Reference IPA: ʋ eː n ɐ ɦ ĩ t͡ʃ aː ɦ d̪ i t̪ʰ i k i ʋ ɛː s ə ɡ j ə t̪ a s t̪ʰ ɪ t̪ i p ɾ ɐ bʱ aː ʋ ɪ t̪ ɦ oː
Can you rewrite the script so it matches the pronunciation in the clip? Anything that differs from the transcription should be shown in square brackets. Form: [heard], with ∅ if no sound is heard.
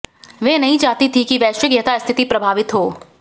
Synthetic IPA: ʋ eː n ɐ ɦ ĩ t͡ʃ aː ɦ [t̪] i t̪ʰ i k i ʋ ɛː [ʃ] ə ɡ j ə t̪ a s t̪ʰ ɪ t̪ i p ɾ ɐ bʱ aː ʋ ɪ t̪ ɦ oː